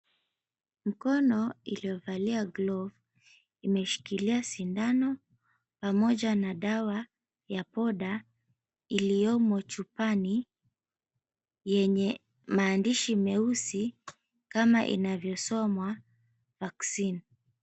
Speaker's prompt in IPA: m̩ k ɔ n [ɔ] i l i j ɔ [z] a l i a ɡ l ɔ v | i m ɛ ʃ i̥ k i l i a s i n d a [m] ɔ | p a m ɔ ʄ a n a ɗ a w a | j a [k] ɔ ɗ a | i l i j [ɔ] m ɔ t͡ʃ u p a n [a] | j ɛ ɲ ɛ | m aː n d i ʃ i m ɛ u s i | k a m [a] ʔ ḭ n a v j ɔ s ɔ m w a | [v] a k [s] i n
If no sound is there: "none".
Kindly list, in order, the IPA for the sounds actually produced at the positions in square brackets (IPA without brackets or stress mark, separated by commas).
ɔ, v, n, p, ɔ, i, a, v, s